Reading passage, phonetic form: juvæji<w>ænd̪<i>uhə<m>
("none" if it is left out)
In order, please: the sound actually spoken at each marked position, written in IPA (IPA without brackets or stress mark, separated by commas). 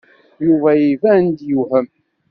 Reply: v, j, m